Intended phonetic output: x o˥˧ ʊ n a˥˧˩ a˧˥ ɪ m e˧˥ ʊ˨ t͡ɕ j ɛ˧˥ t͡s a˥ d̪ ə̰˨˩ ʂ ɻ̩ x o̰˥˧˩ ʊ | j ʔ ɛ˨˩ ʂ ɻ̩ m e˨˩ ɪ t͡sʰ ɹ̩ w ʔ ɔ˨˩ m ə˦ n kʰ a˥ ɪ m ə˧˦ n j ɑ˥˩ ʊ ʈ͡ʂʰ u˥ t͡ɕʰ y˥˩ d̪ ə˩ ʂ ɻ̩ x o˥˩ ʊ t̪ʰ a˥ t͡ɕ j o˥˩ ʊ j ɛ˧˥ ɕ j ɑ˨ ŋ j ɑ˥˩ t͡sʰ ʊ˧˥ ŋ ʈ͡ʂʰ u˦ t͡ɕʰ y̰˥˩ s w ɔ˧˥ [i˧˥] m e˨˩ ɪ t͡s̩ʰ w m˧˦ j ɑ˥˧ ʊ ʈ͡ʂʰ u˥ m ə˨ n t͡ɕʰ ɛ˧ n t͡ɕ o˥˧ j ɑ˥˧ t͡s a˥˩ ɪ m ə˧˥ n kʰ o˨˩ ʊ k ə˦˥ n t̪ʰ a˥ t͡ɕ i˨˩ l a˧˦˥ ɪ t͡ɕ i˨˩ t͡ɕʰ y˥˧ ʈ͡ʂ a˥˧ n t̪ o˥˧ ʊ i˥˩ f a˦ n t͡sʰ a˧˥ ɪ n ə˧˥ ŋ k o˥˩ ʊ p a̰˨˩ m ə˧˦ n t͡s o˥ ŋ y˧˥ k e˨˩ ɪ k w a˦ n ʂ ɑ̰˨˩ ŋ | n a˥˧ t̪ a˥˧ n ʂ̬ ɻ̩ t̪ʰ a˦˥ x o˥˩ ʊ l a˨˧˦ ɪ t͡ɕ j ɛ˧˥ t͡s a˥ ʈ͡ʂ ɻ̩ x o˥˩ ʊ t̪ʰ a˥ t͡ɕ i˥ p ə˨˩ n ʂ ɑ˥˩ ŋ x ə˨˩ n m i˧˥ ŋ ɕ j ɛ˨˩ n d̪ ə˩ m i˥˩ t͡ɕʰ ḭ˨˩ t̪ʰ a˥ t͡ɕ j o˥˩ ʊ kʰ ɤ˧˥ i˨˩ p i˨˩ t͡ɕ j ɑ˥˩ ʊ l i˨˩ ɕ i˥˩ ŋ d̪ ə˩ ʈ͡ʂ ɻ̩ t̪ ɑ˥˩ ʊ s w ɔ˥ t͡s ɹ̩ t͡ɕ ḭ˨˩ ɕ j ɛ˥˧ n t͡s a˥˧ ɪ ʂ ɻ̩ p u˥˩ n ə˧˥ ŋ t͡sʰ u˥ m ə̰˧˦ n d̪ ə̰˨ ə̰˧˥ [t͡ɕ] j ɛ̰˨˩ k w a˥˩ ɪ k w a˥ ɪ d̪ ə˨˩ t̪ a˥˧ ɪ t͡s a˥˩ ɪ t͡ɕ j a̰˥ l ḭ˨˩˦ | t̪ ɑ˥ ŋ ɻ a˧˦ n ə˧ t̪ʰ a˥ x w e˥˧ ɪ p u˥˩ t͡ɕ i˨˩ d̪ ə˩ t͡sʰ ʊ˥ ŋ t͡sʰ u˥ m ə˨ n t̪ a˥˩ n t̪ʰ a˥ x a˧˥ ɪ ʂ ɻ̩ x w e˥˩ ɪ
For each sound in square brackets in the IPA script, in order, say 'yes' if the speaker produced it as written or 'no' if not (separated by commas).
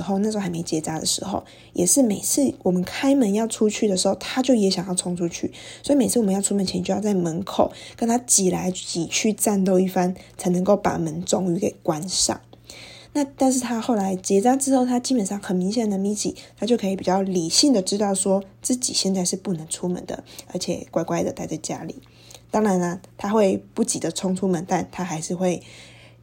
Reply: no, no